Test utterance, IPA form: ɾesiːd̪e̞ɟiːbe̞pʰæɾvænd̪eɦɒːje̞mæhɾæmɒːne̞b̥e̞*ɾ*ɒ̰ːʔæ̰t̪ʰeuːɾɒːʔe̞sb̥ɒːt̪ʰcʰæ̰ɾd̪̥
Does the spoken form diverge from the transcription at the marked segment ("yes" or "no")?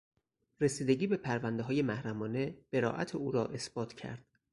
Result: no